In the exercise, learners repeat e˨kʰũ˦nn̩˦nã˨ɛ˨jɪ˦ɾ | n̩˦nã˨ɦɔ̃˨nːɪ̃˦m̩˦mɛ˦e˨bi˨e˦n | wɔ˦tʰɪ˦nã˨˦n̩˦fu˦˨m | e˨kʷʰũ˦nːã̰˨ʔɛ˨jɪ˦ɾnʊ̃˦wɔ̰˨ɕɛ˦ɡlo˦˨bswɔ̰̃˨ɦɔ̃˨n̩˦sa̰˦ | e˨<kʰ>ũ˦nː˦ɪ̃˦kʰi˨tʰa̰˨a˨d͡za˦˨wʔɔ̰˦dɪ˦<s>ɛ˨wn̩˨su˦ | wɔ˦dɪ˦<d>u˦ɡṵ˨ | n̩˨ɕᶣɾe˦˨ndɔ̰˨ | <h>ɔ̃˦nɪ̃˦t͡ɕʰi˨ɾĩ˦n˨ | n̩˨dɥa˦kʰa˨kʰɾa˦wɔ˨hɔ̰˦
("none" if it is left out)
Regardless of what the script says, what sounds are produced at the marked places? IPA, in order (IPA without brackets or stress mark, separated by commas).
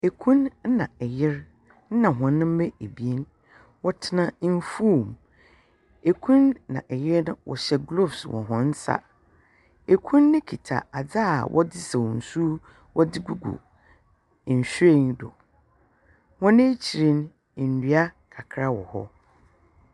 kʰ, s, ɡ, h